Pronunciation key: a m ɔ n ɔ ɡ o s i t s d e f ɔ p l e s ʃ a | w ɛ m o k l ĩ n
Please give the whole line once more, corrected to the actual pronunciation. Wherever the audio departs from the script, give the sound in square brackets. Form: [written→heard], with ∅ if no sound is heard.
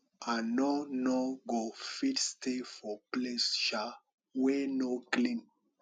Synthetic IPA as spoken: a [m→n] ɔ n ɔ ɡ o [s→f] i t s [d→t] e f ɔ p l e s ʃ a | w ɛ [m→n] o k l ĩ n